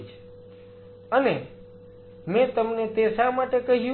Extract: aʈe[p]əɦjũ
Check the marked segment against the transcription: incorrect: k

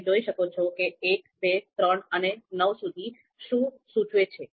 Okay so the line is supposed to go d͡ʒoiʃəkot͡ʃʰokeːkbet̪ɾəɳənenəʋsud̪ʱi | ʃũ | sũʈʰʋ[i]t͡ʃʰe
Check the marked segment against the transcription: incorrect: e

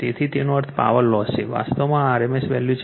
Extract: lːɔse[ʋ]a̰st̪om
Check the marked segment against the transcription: correct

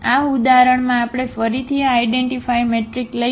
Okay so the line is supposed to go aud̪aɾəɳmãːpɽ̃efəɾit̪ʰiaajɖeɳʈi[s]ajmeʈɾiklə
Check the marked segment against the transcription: incorrect: f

